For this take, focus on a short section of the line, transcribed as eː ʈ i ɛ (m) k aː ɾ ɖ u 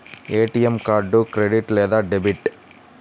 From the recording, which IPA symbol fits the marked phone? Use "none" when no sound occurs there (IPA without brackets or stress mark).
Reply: m